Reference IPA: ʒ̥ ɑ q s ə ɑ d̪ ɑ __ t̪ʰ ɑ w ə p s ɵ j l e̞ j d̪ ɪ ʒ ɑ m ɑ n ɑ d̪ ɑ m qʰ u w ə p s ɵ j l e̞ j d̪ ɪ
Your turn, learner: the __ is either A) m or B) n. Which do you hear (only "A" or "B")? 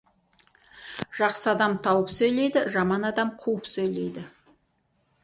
A